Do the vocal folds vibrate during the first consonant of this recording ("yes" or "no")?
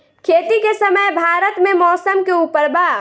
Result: no